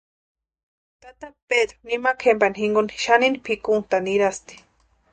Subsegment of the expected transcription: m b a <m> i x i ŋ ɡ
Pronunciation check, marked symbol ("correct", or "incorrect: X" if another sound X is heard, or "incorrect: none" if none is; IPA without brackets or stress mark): incorrect: n